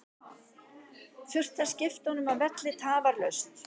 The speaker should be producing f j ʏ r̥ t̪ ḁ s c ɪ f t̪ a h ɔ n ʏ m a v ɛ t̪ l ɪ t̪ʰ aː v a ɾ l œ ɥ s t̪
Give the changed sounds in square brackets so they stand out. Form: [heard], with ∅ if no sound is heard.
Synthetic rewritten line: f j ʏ r̥ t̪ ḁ s c ɪ f t̪ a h ɔ n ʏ m a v ɛ t̪ l ɪ t̪ʰ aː v a ɾ l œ ɥ s t̪